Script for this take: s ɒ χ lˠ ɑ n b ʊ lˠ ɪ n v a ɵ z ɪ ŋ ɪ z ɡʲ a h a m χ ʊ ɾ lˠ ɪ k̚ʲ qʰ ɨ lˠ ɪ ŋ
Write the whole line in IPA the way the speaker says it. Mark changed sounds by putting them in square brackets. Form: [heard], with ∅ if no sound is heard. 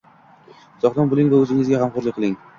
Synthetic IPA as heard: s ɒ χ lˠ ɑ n b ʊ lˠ ɪ [ŋ] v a ɵ z ɪ ŋ ɪ z ɡʲ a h a m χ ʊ ɾ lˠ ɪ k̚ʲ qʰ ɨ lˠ ɪ ŋ